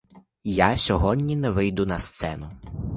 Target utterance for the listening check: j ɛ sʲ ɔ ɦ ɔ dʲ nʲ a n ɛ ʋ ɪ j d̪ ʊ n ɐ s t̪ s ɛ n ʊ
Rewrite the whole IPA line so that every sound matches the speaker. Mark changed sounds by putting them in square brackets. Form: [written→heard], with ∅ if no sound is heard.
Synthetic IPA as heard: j [ɛ→a] sʲ ɔ ɦ ɔ dʲ nʲ [a→i] n ɛ ʋ ɪ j d̪ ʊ n ɐ s t̪ s ɛ n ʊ